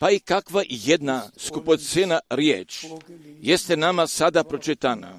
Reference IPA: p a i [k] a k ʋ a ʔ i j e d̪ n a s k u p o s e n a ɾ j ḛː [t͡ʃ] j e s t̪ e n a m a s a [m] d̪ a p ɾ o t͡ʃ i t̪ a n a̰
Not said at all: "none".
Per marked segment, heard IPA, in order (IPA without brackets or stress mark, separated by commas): k, t͡ʃ, none